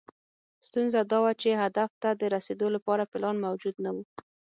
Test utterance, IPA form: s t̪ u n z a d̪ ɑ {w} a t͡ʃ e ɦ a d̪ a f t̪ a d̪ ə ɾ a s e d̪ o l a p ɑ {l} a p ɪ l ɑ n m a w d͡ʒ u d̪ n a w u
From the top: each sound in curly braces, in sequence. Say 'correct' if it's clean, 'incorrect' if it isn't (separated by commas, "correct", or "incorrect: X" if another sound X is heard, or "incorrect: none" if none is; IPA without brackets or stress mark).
correct, incorrect: ɾ